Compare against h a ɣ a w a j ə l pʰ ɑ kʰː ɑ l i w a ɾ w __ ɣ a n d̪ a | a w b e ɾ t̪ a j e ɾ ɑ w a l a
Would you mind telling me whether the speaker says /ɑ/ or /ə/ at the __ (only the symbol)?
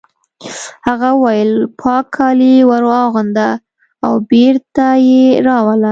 ɑ